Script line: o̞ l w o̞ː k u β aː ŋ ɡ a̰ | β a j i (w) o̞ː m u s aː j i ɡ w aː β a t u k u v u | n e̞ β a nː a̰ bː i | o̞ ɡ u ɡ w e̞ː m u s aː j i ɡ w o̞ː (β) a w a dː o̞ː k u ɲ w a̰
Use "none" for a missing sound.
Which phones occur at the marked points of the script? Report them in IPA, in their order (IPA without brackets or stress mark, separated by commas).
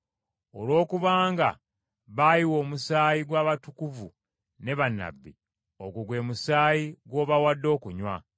w, β